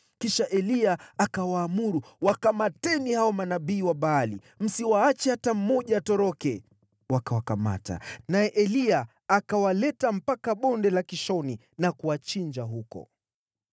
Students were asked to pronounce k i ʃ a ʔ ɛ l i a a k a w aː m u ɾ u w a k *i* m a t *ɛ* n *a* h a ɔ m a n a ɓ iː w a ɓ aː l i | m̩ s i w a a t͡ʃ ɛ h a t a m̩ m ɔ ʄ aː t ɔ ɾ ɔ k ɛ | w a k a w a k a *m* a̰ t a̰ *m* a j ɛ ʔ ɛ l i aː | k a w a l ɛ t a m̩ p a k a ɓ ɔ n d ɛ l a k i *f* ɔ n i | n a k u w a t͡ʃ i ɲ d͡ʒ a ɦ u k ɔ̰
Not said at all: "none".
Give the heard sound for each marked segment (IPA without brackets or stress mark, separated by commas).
a, ɛ, i, m, n, ʃ